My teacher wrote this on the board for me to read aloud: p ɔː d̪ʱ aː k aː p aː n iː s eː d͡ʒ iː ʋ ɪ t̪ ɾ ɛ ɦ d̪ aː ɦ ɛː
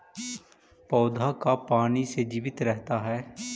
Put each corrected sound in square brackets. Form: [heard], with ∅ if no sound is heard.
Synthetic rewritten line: p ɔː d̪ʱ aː k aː p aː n iː s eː d͡ʒ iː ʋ ɪ t̪ ɾ ɛ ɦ [t̪] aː ɦ ɛː